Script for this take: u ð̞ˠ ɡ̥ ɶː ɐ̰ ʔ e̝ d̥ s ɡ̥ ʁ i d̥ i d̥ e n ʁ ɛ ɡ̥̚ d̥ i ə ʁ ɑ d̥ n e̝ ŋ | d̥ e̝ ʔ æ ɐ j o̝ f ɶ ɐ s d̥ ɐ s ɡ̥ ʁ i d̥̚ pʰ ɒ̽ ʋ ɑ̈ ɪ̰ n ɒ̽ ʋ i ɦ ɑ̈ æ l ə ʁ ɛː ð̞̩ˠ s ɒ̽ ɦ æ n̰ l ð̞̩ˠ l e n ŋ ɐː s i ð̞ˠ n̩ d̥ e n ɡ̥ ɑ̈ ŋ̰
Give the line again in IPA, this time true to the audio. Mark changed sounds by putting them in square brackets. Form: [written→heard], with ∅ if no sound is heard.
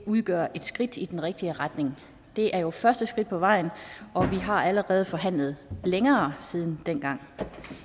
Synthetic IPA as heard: u ð̞ˠ ɡ̥ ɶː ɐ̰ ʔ e̝ d̥ s ɡ̥ ʁ i d̥ i d̥ e n ʁ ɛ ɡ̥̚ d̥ i ə ʁ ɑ d̥ n e̝ ŋ | d̥ e̝ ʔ æ ɐ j o̝ f ɶ ɐ s d̥ [ɐ→ə] s ɡ̥ ʁ i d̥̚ pʰ ɒ̽ ʋ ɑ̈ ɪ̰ n ɒ̽ ʋ i ɦ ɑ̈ æ l ə ʁ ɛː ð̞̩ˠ [s→f] ɒ̽ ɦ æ n̰ l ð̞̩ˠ l e [n→∅] ŋ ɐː s i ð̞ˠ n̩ d̥ e n ɡ̥ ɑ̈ ŋ̰